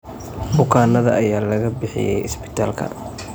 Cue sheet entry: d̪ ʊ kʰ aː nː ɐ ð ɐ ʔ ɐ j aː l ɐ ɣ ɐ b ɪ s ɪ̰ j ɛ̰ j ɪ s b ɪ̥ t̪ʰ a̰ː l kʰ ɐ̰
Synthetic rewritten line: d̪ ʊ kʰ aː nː ɐ ð ɐ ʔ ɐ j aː l ɐ ɣ ɐ b ɪ ħ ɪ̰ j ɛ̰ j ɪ s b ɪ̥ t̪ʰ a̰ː l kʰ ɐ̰